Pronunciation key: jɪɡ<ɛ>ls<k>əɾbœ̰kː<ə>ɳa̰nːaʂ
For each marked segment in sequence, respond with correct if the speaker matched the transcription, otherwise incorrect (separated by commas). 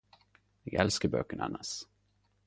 correct, correct, correct